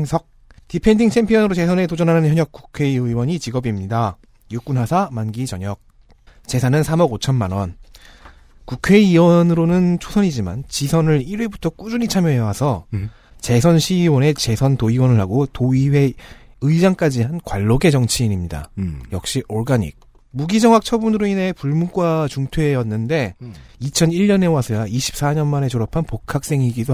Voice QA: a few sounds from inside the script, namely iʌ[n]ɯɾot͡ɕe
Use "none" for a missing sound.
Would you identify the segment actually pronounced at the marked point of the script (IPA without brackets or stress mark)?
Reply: n